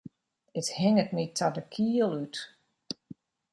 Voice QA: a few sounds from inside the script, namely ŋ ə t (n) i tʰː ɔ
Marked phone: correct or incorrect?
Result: correct